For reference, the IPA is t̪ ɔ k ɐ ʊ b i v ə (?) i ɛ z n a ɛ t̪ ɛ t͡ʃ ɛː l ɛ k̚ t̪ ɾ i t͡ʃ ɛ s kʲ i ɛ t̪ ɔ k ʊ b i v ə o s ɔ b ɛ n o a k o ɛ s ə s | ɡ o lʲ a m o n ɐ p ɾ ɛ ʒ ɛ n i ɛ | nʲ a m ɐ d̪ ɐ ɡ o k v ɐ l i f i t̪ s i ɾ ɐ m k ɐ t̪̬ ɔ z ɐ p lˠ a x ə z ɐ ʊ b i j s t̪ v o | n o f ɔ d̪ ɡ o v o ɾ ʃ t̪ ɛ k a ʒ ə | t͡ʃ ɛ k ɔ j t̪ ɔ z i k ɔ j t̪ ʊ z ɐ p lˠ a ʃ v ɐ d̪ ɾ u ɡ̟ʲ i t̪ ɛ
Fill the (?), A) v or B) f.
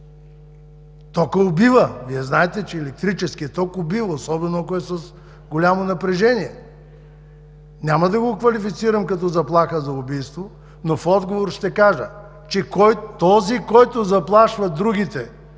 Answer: A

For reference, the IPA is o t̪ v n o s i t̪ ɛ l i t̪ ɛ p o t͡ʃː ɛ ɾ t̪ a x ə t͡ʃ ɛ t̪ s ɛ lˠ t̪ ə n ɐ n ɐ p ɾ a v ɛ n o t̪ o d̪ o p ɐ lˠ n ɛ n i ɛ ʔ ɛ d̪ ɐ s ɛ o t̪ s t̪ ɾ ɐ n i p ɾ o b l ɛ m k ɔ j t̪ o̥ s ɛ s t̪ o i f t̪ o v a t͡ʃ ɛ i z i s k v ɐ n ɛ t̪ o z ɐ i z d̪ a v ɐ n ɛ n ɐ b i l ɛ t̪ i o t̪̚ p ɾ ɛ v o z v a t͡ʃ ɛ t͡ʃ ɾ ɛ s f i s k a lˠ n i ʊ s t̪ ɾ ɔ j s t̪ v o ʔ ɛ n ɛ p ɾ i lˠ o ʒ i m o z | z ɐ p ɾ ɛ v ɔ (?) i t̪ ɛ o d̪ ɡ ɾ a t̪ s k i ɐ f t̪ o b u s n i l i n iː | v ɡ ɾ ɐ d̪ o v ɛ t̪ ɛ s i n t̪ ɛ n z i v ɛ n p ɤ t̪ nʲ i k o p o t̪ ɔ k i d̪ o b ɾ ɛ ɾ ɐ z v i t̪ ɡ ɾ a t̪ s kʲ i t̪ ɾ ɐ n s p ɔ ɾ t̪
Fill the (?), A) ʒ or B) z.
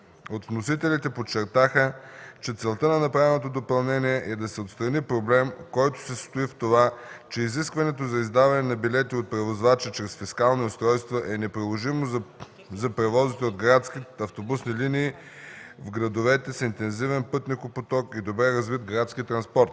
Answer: B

